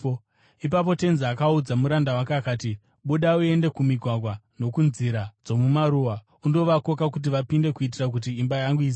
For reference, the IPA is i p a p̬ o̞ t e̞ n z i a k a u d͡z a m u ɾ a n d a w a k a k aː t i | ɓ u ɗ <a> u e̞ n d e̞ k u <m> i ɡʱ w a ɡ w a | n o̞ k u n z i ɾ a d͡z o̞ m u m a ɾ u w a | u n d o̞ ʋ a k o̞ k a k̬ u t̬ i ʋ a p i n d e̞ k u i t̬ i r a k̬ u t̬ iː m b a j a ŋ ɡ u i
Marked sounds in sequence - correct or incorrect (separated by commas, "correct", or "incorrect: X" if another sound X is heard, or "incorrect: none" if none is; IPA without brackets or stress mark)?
correct, correct